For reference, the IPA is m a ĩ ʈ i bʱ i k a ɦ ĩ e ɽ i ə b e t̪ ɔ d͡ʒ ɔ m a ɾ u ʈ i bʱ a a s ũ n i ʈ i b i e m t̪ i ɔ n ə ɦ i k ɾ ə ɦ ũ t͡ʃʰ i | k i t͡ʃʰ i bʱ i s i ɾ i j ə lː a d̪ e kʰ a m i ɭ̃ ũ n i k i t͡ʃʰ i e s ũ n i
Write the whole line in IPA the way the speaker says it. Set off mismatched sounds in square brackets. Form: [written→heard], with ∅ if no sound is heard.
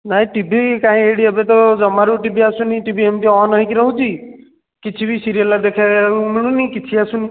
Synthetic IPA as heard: [m→n] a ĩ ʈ i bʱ i k a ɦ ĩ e ɽ i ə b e t̪ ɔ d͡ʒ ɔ m a ɾ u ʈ i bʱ [a→i] a s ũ n i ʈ i b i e m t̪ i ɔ n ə ɦ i k ɾ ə ɦ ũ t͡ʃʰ i | k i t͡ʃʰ i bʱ i s i ɾ i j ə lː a d̪ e kʰ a m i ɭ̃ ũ n i k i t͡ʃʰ i [e→a] s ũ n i